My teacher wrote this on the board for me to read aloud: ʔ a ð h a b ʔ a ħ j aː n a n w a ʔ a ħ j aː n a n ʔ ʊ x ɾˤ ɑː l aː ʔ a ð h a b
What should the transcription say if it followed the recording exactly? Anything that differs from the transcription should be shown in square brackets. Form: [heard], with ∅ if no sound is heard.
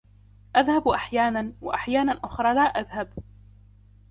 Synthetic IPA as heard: ʔ a ð h a b ʔ a ħ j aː n a n w a ʔ a ħ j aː n a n ʔ ʊ x ɾˤ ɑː l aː ʔ a ð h a b